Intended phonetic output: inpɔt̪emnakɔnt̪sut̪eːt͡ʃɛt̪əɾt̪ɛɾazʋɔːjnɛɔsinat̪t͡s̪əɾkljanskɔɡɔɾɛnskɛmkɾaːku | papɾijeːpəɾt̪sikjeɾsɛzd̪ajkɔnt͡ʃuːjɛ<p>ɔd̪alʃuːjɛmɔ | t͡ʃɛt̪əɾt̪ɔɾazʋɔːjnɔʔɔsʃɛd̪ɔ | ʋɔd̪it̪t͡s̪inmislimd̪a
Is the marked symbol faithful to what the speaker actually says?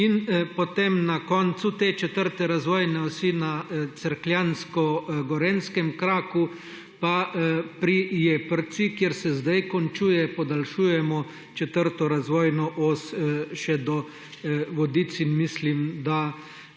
yes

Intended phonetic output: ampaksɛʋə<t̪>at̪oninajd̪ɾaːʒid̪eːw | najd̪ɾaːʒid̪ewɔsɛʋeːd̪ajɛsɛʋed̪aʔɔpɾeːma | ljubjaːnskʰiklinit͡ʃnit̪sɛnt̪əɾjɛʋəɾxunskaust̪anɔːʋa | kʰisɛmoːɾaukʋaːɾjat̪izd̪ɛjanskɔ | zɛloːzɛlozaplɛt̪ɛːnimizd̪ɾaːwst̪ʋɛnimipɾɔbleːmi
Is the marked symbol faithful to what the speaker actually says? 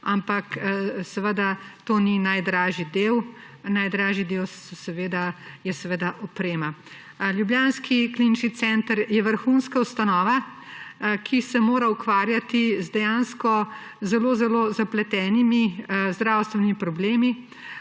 no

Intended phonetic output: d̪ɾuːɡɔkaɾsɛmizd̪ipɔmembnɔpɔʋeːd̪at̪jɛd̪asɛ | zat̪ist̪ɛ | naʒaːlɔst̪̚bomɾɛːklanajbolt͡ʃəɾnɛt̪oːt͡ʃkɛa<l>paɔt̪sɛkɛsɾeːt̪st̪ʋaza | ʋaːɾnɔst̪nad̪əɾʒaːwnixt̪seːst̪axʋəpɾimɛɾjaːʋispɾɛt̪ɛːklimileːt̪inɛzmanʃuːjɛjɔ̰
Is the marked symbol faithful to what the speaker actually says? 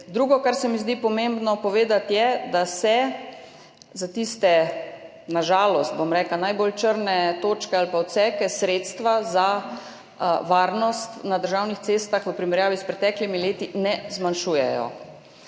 yes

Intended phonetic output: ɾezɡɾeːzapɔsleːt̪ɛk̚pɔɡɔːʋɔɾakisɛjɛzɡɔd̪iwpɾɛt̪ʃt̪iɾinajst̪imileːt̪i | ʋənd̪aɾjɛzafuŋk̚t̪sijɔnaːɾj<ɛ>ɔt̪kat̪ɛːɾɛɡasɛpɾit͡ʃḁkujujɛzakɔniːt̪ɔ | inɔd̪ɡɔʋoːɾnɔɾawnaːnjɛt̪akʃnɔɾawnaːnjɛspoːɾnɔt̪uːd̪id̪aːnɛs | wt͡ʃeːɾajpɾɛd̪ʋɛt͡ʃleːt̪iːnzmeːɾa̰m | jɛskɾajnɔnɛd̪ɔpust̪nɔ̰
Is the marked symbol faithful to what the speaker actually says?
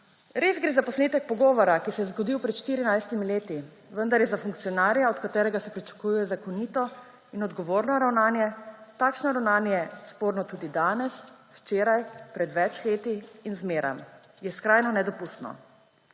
no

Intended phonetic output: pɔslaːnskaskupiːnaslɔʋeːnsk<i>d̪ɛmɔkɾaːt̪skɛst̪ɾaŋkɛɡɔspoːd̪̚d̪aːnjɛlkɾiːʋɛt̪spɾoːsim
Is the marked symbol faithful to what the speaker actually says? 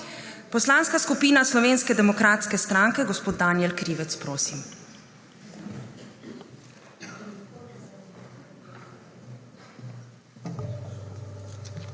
no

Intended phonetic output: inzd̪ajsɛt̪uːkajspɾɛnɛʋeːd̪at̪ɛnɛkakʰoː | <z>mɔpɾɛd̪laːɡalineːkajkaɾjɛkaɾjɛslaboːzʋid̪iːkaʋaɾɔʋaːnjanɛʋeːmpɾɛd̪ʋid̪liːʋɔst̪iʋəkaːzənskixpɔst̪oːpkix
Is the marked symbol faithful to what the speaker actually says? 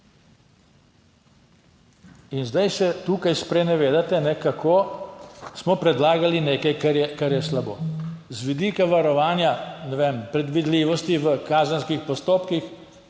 no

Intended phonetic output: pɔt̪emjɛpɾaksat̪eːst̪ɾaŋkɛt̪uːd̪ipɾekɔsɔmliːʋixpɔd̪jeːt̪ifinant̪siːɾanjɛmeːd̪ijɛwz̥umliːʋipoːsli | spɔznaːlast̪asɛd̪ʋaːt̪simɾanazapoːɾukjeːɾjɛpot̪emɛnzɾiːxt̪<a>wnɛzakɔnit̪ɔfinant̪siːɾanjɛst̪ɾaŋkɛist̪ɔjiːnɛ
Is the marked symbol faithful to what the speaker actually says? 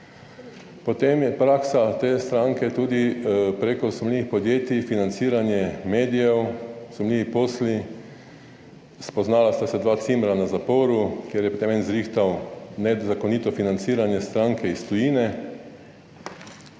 yes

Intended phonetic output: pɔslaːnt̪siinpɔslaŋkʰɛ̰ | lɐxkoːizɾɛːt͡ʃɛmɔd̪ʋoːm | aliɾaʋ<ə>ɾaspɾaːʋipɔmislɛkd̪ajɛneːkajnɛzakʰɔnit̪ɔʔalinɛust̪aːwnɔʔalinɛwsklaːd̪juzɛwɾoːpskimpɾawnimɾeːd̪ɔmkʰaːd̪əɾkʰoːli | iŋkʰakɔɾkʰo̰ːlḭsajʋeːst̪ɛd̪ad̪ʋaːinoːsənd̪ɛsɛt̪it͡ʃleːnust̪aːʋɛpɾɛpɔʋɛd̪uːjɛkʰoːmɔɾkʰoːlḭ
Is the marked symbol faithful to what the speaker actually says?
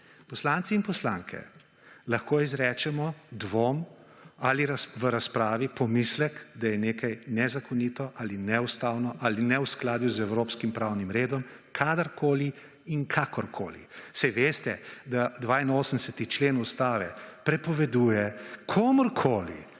yes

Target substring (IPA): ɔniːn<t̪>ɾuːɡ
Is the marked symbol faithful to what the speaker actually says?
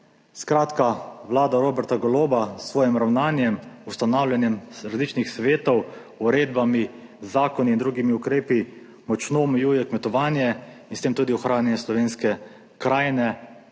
no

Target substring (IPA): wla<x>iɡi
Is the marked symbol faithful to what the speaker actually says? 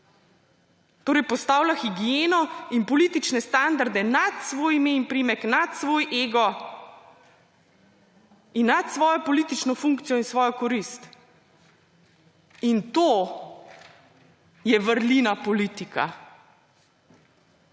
yes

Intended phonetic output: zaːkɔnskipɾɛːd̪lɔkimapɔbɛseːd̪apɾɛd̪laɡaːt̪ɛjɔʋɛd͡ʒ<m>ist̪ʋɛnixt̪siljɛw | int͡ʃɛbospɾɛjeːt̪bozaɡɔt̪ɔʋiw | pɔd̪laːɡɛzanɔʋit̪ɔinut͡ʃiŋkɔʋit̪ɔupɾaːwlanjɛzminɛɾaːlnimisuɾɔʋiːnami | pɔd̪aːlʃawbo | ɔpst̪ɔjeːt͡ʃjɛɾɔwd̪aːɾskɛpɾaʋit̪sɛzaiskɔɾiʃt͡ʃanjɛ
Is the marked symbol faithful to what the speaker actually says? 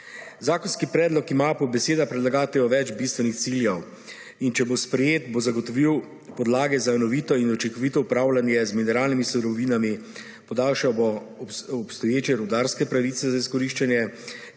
no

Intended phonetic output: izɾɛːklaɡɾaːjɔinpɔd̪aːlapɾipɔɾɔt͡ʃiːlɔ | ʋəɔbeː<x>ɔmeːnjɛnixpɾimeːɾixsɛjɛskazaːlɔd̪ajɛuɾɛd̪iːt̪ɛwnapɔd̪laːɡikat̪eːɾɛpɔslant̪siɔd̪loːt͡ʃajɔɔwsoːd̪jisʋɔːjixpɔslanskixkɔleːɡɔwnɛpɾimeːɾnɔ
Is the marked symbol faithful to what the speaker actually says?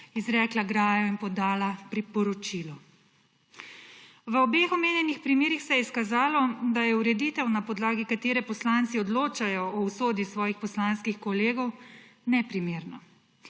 yes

